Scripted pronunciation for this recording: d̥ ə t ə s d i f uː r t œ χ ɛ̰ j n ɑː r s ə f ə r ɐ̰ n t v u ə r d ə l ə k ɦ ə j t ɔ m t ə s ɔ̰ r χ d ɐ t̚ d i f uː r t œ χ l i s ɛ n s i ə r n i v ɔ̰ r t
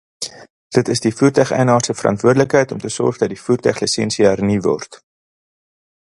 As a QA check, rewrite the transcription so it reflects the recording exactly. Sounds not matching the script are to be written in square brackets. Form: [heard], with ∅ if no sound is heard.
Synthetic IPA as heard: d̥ ə t ə s d i f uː r t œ χ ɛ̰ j n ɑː r s ə f ə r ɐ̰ n t v u ə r d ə l ə k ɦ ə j t ɔ m t ə s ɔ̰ r χ d ɐ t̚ d i f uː r t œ χ l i s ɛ n s i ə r n i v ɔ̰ r t